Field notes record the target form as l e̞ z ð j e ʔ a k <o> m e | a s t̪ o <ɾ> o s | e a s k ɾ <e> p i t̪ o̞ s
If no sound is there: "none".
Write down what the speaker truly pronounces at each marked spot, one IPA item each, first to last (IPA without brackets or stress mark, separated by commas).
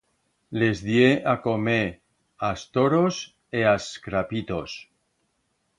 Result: o, ɾ, a